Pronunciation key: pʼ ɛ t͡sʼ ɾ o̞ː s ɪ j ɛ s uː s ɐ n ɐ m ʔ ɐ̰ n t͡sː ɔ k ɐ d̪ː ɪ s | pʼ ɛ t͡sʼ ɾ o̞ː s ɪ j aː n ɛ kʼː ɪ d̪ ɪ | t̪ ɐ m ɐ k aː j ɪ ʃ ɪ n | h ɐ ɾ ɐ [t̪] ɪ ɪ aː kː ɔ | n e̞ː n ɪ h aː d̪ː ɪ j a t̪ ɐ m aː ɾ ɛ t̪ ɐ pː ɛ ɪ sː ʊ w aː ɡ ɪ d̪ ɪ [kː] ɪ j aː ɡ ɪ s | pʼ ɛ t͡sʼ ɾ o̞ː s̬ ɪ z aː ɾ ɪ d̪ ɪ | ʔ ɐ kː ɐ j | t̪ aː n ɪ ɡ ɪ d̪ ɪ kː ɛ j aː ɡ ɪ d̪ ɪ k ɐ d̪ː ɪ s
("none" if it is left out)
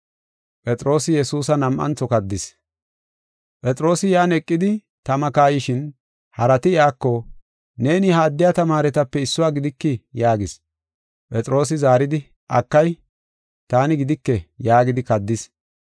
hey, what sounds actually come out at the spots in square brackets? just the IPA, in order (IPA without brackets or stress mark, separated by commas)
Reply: t̪, kː